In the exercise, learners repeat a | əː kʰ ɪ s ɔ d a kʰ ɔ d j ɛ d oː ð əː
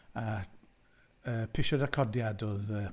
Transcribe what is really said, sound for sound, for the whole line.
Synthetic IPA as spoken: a | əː pʰ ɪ ʃ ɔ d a kʰ ɔ d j a d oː ð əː